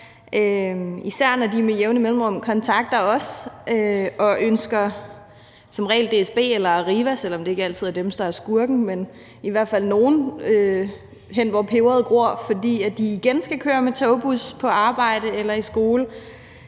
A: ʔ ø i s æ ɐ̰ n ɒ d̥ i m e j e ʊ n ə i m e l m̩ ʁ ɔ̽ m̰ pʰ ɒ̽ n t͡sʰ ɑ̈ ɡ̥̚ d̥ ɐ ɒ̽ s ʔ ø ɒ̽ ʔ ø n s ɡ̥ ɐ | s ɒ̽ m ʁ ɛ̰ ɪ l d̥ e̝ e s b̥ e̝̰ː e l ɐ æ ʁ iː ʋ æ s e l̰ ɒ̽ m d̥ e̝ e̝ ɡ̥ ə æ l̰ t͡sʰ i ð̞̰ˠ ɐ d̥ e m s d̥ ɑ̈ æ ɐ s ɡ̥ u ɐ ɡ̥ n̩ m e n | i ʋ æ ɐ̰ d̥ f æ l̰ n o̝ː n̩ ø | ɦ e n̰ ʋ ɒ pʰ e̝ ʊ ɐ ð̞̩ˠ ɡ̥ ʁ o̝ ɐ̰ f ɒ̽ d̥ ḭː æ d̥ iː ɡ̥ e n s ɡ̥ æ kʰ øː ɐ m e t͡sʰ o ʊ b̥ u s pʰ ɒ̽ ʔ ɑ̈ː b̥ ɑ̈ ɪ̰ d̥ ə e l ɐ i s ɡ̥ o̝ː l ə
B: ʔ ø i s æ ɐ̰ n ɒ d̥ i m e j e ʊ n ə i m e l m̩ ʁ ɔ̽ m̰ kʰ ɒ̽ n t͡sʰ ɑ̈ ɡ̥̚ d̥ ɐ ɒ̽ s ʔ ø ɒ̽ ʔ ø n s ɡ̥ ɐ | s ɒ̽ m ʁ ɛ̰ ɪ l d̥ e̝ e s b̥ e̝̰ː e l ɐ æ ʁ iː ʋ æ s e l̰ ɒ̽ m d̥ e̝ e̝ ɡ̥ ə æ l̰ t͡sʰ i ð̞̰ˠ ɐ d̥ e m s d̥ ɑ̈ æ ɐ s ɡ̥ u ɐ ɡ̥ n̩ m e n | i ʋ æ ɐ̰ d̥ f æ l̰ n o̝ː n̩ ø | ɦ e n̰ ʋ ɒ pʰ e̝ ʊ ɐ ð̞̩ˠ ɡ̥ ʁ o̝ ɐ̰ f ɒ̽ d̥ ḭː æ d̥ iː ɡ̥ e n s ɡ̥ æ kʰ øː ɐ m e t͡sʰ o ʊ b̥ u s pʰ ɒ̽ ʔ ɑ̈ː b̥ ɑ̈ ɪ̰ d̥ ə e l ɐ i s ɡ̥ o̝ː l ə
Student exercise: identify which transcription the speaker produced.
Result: B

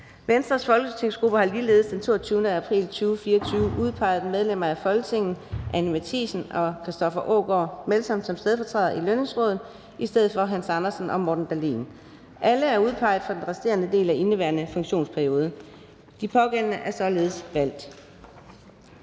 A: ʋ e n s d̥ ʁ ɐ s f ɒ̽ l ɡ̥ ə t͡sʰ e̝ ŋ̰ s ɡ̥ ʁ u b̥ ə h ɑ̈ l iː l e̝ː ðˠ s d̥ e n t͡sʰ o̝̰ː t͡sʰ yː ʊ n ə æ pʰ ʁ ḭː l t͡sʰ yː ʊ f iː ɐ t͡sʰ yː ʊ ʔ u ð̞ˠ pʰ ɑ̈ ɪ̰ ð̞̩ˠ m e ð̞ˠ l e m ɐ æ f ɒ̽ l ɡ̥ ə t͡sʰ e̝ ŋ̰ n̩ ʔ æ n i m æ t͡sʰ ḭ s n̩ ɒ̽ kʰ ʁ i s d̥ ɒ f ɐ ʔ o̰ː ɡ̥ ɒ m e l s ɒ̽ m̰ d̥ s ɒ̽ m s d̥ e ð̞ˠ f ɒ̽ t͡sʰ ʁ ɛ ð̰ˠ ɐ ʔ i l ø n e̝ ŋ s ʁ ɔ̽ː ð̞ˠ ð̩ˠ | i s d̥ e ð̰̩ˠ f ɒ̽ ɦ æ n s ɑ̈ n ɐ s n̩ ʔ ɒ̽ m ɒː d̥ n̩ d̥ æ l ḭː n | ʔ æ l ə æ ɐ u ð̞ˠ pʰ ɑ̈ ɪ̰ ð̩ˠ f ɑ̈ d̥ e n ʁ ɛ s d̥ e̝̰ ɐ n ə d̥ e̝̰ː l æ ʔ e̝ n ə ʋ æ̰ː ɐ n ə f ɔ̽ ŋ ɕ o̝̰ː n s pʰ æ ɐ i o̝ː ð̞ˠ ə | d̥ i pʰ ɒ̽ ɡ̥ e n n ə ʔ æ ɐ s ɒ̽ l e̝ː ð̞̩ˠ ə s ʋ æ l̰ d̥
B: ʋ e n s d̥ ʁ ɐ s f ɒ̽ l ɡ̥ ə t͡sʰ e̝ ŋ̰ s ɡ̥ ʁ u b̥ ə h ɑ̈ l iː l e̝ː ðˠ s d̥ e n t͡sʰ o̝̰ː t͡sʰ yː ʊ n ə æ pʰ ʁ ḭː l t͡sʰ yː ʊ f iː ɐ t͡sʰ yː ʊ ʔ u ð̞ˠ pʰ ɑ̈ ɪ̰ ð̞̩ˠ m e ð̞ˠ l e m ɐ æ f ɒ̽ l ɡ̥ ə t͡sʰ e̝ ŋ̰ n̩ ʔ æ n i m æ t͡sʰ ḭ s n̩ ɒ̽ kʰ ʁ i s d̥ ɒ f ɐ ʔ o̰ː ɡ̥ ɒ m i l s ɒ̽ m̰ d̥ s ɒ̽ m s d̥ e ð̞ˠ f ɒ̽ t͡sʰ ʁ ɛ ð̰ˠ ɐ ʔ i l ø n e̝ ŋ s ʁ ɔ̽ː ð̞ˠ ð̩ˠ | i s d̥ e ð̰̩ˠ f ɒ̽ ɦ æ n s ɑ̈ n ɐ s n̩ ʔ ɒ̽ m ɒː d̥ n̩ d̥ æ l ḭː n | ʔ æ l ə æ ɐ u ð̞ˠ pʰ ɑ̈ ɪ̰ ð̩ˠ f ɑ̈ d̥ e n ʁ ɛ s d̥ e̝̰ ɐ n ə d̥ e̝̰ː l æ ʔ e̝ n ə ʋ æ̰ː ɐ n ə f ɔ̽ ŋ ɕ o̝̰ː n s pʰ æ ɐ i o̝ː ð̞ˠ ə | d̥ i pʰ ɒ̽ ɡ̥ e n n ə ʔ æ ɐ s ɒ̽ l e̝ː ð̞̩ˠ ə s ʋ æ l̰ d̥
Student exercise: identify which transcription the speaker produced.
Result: A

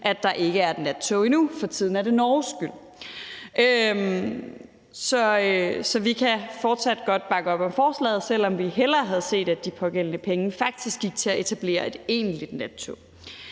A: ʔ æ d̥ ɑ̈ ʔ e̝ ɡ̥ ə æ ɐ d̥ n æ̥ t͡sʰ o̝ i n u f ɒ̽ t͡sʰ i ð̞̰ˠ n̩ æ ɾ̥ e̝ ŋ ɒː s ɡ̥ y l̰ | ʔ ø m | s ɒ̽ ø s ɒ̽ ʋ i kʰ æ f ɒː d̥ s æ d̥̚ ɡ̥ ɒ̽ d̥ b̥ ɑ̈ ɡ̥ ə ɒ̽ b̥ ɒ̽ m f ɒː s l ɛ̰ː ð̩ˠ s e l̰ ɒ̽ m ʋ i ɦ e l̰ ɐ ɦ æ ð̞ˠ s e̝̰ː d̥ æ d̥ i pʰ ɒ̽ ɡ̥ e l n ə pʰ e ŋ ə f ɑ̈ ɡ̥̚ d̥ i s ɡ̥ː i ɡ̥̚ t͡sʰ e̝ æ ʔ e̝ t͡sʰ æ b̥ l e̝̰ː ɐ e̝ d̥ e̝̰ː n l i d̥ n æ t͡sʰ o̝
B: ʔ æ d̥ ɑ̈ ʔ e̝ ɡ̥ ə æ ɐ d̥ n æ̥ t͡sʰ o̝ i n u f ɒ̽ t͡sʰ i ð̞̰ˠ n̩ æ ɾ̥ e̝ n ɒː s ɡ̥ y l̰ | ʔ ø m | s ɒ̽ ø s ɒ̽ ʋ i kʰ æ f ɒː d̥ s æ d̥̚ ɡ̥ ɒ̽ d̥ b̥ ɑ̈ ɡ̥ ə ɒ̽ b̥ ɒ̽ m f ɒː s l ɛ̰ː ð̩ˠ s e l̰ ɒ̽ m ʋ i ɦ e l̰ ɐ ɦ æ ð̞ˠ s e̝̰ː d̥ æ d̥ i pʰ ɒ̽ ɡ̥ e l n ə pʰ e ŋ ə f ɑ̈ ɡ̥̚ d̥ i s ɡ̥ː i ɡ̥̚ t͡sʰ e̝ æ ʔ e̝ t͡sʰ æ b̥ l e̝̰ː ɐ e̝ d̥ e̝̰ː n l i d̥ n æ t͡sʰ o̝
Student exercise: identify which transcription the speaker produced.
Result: B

